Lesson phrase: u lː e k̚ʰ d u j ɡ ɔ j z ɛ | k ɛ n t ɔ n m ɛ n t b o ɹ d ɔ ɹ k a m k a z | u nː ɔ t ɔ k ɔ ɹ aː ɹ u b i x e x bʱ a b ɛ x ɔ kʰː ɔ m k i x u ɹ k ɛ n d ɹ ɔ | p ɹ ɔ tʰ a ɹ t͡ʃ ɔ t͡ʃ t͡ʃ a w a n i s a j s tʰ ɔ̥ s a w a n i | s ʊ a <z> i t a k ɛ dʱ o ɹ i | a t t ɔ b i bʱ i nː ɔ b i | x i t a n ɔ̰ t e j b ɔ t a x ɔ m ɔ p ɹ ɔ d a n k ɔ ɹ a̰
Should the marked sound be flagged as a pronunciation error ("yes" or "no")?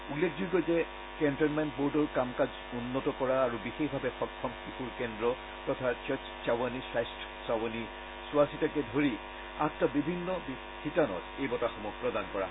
yes